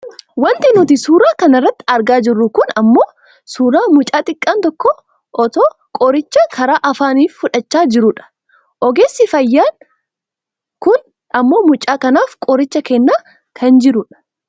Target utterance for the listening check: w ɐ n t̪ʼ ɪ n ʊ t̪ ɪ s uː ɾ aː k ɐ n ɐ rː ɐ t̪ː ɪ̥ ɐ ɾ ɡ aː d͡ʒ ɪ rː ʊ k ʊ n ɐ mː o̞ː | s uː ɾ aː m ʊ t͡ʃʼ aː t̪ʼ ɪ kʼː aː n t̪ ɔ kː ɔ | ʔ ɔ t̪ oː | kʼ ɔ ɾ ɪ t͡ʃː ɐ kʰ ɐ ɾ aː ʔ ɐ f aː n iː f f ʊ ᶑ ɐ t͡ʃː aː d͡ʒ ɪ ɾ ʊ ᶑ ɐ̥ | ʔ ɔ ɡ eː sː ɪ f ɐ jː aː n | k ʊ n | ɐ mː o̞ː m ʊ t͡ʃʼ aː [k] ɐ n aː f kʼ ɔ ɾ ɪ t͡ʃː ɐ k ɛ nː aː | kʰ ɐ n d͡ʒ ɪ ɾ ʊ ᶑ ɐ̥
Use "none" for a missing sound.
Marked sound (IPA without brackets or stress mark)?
k